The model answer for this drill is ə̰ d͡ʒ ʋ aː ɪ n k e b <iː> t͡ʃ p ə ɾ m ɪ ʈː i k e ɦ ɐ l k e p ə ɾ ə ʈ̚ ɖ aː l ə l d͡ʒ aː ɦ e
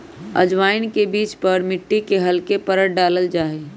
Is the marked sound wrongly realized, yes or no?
no